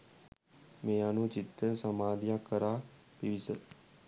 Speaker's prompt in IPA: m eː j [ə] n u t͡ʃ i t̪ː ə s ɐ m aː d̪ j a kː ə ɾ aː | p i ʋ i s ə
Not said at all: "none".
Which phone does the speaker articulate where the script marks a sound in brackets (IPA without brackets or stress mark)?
a